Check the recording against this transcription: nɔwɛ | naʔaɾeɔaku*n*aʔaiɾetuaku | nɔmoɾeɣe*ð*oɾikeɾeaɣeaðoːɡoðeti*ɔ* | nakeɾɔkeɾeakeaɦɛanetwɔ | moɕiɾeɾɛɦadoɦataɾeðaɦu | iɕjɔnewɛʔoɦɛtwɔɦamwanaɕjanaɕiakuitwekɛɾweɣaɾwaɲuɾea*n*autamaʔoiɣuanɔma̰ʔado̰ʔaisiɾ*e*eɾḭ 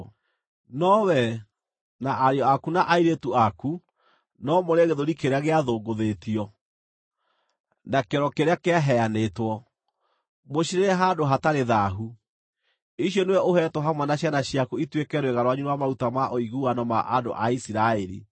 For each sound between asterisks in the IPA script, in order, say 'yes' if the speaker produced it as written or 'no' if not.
yes, yes, yes, no, no

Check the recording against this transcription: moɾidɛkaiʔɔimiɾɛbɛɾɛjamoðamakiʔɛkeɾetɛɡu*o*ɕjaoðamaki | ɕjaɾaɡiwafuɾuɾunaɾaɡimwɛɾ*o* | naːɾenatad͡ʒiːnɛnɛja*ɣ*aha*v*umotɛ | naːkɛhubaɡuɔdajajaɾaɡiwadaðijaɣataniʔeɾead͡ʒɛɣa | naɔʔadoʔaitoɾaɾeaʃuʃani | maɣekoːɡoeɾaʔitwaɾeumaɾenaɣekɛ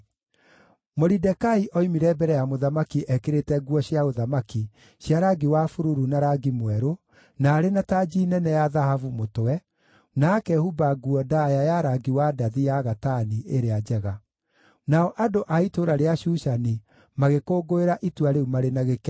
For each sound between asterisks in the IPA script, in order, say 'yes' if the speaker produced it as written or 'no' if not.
no, yes, no, yes

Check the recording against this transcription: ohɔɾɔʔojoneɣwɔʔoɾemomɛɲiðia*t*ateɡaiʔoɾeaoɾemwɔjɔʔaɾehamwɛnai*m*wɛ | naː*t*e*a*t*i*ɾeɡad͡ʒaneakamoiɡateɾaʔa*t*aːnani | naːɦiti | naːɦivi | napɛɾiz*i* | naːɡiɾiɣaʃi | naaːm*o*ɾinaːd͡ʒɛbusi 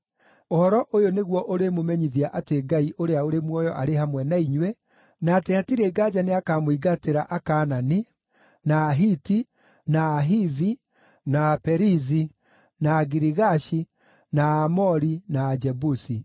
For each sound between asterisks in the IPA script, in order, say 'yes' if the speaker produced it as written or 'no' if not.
no, no, yes, yes, yes, no, yes, no

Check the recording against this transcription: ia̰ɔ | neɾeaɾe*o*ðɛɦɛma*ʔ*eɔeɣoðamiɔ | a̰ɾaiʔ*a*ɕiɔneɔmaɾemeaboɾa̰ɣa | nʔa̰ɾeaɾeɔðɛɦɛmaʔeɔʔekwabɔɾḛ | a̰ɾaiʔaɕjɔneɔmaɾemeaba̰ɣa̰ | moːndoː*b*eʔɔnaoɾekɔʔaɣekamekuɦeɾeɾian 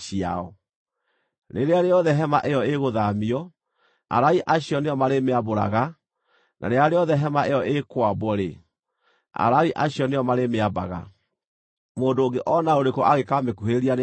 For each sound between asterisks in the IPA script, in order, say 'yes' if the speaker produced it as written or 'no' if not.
no, yes, yes, no

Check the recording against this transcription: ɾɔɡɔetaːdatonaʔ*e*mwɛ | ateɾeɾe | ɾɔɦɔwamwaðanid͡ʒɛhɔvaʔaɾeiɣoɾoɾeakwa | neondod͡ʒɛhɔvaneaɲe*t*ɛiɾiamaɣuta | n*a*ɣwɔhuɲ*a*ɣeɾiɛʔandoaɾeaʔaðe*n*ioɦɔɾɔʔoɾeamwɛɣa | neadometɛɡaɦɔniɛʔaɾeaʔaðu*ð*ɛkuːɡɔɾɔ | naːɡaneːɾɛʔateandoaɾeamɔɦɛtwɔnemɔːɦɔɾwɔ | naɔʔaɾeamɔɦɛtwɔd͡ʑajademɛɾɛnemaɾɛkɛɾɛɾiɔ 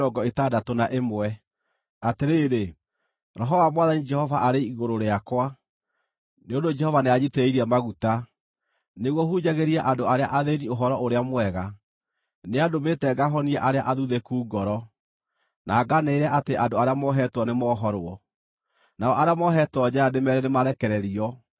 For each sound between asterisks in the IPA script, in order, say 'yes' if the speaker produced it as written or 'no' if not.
yes, yes, no, yes, yes, yes

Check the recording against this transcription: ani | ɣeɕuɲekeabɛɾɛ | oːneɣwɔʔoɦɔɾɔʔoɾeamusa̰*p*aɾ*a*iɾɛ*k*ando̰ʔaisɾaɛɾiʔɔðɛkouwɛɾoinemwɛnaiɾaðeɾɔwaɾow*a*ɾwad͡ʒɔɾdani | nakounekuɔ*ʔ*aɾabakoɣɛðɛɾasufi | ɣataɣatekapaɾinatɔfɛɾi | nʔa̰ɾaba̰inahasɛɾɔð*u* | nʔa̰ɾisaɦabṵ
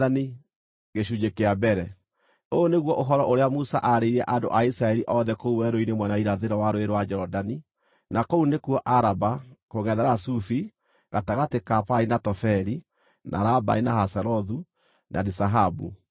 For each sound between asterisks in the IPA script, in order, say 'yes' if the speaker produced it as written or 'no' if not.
no, no, no, no, yes, yes

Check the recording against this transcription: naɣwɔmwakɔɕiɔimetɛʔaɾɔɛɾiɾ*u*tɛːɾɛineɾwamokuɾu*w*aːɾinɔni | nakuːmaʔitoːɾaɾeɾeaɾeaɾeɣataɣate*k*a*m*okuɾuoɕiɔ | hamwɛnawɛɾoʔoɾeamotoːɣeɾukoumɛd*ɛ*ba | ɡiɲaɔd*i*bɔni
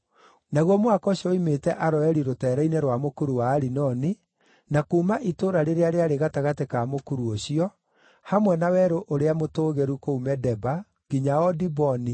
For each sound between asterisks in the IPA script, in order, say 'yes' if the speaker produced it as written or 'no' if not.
no, yes, yes, yes, yes, yes

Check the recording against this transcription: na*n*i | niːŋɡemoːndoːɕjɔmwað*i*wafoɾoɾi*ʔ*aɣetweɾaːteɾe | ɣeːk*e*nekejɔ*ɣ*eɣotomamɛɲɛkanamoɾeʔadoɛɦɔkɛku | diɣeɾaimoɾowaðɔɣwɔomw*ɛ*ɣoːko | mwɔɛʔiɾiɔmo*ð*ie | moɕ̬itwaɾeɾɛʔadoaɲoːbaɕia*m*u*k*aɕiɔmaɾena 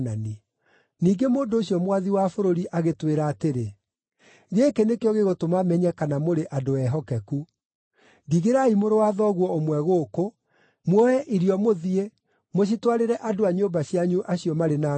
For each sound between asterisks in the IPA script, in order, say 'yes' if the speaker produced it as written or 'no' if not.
yes, yes, yes, yes, yes, yes, yes, no, no

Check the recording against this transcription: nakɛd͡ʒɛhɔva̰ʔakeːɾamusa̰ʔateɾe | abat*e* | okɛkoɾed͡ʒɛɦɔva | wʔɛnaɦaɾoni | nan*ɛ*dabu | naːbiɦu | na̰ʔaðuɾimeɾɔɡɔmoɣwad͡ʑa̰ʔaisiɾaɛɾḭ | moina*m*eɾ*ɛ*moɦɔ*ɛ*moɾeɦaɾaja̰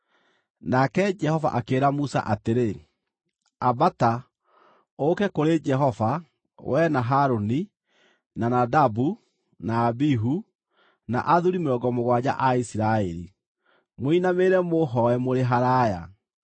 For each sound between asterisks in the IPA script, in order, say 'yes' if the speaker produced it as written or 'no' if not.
no, no, yes, yes, yes

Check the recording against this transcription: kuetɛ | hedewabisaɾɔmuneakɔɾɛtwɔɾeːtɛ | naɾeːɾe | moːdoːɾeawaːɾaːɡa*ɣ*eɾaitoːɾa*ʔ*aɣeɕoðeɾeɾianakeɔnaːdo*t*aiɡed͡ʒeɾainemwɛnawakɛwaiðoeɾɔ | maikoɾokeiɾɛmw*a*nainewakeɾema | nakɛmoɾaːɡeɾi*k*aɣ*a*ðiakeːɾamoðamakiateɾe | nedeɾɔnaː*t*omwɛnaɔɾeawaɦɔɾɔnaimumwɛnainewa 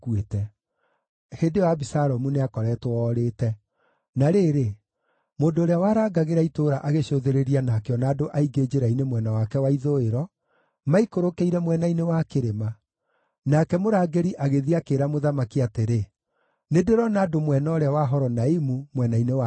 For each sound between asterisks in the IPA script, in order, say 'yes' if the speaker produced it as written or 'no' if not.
yes, yes, no, no, no, no, no

